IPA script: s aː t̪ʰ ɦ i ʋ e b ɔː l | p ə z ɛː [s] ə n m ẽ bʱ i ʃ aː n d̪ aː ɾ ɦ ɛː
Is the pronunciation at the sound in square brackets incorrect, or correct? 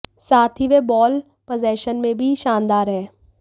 incorrect